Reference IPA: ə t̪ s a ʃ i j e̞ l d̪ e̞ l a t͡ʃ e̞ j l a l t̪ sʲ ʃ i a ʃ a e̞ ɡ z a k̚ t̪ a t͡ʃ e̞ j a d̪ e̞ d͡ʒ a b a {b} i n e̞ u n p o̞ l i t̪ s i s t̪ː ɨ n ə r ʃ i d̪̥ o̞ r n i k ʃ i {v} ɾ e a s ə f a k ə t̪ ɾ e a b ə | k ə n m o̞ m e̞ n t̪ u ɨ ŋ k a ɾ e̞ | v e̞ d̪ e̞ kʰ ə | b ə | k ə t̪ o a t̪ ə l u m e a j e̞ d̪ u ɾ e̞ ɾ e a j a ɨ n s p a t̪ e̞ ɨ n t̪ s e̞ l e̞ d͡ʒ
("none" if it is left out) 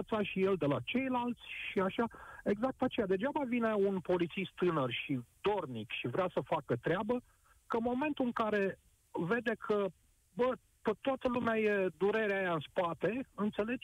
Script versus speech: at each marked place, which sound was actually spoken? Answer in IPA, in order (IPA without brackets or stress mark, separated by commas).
v, v